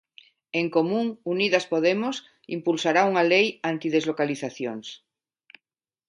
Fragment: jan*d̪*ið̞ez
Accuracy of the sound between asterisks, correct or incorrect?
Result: incorrect